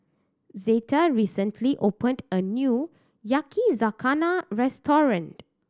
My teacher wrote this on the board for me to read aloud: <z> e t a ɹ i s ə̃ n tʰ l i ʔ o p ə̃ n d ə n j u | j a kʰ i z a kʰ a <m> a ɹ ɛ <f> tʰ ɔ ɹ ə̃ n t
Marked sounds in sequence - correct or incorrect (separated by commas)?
correct, incorrect, incorrect